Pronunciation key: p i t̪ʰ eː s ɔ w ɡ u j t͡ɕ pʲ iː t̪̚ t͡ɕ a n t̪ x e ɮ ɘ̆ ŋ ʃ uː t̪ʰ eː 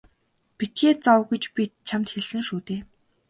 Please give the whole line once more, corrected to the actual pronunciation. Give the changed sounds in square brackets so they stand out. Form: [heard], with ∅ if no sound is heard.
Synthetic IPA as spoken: p i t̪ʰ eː [t͡s] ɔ w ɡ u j t͡ɕ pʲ [i] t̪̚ [t͡ɕʰ] a [m] t̪ x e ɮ ɘ̆ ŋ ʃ uː [t̪] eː